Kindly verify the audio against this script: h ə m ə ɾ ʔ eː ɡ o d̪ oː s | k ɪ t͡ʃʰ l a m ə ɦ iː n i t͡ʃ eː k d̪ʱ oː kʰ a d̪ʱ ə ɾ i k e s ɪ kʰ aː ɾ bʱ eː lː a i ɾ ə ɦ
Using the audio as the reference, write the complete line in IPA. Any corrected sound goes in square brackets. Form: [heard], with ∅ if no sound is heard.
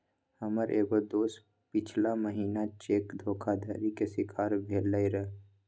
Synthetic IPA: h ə m ə ɾ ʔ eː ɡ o d̪ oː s | [p] ɪ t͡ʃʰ l a m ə ɦ iː n [a] t͡ʃ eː k d̪ʱ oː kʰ a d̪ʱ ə ɾ i k e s ɪ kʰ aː ɾ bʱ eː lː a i ɾ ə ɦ